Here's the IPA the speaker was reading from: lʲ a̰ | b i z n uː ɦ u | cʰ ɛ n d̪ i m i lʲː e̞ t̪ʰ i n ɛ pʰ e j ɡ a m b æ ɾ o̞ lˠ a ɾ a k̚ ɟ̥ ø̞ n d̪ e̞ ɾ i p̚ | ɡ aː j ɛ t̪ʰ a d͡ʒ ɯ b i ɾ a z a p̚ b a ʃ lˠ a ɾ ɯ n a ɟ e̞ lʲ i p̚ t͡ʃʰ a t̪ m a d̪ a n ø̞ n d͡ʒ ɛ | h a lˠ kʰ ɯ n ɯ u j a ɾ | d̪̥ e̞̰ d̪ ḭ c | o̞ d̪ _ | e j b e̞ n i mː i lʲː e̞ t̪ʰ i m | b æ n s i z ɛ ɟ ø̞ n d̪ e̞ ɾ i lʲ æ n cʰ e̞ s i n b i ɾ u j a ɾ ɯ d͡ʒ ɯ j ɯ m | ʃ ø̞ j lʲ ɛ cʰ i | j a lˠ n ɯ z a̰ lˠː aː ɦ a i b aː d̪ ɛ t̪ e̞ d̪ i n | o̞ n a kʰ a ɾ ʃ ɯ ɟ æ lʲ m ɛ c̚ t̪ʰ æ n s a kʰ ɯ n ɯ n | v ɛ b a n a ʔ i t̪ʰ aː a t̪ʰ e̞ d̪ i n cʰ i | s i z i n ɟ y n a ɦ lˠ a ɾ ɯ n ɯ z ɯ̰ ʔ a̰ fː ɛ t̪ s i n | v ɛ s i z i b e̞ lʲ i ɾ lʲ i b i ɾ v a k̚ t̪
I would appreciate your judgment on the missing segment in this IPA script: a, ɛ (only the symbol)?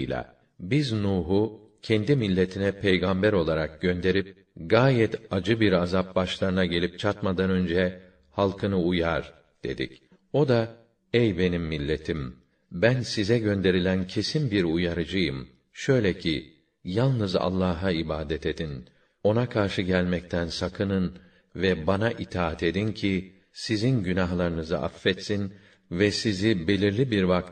a